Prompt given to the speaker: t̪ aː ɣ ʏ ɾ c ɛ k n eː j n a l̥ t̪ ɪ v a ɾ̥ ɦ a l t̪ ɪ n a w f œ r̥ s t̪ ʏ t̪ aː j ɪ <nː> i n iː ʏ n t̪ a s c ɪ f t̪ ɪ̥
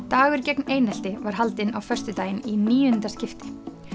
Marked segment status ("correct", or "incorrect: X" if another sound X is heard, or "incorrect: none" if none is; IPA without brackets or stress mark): incorrect: n